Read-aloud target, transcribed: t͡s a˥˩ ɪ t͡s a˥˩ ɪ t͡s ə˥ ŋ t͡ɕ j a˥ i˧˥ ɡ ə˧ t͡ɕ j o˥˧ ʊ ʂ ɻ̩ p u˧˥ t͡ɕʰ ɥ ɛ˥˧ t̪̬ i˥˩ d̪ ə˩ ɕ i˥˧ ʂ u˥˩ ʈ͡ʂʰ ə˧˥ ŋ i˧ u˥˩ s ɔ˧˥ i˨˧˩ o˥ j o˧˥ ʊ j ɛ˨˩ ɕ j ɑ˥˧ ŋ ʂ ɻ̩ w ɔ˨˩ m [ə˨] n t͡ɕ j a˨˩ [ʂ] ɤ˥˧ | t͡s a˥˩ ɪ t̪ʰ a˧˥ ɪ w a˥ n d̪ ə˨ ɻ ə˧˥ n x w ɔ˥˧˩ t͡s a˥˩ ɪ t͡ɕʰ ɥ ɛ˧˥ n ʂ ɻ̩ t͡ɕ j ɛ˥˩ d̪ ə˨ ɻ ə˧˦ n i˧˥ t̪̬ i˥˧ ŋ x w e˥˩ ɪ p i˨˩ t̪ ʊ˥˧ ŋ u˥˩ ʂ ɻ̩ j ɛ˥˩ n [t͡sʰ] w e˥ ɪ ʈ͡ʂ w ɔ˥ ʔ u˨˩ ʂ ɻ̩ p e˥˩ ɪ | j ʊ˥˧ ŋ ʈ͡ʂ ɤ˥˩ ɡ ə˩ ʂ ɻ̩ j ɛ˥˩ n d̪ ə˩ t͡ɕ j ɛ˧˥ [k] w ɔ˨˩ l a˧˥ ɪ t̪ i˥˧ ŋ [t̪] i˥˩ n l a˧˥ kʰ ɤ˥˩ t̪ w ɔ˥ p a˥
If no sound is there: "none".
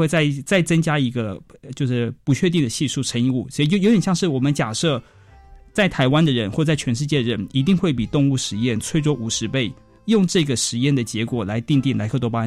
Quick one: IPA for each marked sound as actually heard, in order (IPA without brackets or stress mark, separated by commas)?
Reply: ə˦, ʂ, t͡sʰ, k, t̪